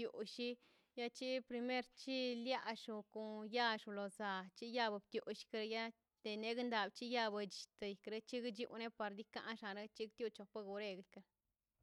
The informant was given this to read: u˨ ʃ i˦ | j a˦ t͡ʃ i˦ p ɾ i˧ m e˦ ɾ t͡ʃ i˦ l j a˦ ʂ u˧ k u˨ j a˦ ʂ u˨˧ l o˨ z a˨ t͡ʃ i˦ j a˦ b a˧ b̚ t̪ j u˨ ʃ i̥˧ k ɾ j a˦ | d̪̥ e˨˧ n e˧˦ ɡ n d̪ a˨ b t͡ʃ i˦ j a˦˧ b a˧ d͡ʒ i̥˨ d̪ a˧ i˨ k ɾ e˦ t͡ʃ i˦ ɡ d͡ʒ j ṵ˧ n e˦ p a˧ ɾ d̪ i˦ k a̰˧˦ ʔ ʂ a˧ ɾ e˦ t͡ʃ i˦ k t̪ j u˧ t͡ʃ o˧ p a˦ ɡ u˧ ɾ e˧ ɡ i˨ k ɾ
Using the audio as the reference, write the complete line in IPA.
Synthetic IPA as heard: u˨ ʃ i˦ | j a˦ t͡ʃ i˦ p ɾ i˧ m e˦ ɾ t͡ʃ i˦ l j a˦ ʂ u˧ k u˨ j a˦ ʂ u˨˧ l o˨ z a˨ t͡ʃ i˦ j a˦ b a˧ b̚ t̪ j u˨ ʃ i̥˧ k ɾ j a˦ | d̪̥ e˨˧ n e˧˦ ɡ n d̪ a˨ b t͡ʃ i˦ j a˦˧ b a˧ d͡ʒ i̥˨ t̪ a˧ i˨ k ɾ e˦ t͡ʃ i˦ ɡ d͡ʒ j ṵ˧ n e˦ p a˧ ɾ d̪ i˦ k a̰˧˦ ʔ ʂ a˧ ɾ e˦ t͡ʃ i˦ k t̪ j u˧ t͡ʃ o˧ p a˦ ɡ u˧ ɾ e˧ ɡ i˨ k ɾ